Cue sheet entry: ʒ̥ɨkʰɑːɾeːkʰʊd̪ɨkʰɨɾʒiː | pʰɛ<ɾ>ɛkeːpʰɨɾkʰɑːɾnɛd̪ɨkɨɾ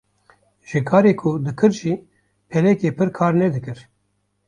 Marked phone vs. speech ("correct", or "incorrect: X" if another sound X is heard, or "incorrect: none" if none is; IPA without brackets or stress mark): incorrect: l